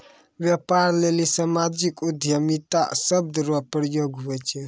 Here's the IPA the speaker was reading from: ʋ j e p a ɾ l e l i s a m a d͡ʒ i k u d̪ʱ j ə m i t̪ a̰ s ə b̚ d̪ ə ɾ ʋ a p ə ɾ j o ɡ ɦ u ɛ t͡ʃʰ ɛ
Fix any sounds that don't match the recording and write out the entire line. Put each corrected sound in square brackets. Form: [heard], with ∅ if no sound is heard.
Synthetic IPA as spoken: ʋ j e p a ɾ l e l i s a m a d͡ʒ i k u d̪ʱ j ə m i t̪ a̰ s ə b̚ d̪ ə ɾ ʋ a p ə ɾ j o ɡ ɦ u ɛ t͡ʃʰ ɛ